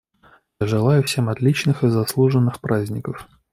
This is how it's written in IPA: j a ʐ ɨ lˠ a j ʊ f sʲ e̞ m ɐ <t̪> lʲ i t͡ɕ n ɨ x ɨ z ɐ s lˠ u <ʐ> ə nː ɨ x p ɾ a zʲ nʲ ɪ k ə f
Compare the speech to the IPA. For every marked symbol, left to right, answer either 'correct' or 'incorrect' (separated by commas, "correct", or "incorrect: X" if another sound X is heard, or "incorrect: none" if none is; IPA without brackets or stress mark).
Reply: correct, correct